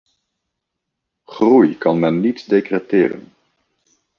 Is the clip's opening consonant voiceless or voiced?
voiceless